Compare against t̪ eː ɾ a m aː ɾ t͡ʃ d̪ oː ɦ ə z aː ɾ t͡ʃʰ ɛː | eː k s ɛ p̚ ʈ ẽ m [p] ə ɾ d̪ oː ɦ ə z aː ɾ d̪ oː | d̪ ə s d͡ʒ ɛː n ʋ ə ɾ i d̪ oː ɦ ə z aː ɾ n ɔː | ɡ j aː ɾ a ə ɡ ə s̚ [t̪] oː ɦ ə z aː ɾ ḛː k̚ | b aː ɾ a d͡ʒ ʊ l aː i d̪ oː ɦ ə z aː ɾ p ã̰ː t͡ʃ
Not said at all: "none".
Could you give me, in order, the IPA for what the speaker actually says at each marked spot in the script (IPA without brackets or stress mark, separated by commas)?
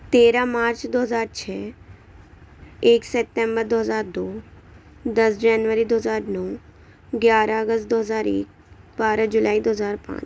b, d̪